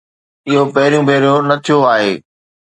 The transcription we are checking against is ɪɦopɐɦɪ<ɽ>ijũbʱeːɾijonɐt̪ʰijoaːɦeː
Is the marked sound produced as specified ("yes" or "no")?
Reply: no